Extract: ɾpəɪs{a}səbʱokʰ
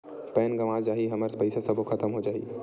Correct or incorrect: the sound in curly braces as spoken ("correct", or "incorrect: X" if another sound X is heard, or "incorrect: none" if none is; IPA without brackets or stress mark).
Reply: correct